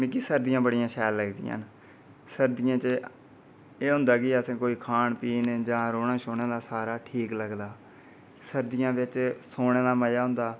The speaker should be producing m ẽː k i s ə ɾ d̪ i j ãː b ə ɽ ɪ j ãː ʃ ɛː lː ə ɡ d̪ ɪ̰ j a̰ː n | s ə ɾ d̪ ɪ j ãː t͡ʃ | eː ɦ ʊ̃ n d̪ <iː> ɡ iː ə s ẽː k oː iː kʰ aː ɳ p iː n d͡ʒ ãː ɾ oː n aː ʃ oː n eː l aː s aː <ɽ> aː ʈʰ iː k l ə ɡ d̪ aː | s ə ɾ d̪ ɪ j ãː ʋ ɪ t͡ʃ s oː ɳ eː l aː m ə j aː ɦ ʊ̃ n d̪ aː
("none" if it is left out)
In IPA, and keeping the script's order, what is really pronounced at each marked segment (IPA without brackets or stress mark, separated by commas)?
aː, ɾ